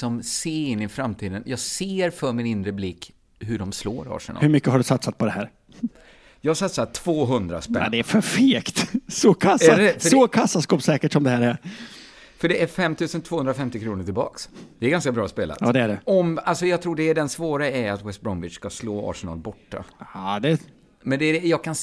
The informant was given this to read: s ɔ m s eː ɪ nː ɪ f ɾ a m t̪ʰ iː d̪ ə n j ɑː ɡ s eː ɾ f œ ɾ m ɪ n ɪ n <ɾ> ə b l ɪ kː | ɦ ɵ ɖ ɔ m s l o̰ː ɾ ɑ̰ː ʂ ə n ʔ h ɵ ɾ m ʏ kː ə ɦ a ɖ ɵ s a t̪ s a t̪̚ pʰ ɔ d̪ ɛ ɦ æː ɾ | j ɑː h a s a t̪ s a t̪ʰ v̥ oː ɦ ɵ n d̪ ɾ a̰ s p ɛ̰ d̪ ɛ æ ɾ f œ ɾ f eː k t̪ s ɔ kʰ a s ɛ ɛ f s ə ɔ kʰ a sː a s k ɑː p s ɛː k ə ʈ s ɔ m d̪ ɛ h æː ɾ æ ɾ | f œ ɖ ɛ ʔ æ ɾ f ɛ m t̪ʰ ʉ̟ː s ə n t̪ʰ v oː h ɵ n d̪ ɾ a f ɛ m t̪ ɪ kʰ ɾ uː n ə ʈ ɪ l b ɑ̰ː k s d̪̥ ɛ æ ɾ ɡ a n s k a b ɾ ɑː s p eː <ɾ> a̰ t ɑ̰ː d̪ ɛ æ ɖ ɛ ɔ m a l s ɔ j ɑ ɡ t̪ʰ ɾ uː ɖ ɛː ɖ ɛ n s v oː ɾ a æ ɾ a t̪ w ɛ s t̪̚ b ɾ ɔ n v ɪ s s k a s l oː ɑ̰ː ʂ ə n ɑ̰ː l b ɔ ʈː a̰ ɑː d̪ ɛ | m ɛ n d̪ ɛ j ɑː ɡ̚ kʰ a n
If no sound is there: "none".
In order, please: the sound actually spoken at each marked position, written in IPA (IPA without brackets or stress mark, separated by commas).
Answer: ɾ, l